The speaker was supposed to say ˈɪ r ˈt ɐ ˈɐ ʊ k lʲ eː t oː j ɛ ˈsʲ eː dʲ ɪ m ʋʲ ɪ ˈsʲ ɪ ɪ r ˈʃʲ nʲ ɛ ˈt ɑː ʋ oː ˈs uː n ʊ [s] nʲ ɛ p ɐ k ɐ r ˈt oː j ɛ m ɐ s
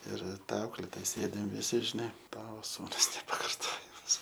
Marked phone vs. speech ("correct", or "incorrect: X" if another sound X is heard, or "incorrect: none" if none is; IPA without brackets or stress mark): correct